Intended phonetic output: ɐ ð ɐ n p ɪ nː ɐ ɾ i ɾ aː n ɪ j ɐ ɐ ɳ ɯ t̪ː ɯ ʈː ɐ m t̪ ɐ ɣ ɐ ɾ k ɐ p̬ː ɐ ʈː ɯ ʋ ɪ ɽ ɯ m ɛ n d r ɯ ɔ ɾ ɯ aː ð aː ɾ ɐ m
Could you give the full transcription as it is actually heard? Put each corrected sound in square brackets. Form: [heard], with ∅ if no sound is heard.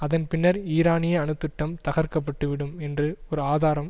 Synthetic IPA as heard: ɐ ð ɐ n p ɪ nː ɐ ɾ [iː] ɾ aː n ɪ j ɐ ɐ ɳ ɯ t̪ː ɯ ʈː ɐ m t̪ ɐ ɣ ɐ ɾ k ɐ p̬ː ɐ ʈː ɯ ʋ ɪ ɽ ɯ m ɛ n d r ɯ ɔ ɾ ɯ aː ð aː ɾ ɐ m